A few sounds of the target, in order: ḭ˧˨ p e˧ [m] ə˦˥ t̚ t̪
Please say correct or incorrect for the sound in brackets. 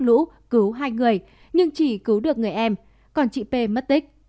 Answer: correct